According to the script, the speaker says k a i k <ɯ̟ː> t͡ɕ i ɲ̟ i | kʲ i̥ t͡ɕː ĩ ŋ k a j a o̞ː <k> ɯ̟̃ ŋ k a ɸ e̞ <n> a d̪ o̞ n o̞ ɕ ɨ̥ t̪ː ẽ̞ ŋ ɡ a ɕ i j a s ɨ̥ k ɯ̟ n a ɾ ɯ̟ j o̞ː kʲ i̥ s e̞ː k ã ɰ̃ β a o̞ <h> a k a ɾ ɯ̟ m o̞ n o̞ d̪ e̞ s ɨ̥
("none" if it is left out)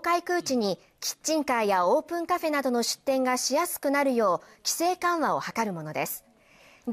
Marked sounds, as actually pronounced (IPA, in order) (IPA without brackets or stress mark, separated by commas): ɯ̟ː, p, n, h